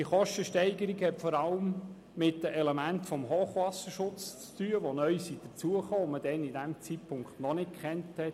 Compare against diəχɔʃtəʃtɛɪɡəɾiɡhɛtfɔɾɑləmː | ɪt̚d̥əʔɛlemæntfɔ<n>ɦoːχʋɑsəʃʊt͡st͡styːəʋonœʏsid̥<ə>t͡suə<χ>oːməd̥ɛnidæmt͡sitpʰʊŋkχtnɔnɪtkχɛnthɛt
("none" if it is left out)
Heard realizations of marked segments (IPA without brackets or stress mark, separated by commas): m, ə, χ